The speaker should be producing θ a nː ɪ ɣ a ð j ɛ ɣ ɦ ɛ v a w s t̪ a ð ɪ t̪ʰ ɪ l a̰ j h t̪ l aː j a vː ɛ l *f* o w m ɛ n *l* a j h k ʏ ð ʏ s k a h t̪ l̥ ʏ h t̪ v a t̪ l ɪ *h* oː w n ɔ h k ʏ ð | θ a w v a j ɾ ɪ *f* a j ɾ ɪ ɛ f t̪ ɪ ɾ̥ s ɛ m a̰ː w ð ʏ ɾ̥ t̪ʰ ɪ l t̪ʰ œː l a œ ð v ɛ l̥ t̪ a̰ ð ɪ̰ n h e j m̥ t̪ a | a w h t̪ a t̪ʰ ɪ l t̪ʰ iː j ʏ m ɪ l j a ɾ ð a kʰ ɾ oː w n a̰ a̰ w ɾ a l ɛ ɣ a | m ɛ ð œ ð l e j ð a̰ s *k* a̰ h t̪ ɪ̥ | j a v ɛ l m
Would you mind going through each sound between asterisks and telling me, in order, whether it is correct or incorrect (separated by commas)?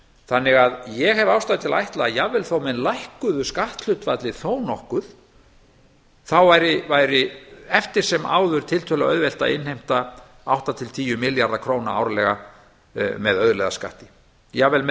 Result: incorrect, correct, incorrect, incorrect, correct